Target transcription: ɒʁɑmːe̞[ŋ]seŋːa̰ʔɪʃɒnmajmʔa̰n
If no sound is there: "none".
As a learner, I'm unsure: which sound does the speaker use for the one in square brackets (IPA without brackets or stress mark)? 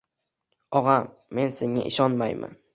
n